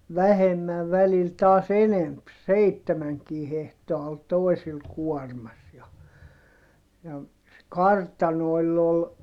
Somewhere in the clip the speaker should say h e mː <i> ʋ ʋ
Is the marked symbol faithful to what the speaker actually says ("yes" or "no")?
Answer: no